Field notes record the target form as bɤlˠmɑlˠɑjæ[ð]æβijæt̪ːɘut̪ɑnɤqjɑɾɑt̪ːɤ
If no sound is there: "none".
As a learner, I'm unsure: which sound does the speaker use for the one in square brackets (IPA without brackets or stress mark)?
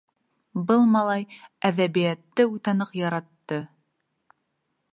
ð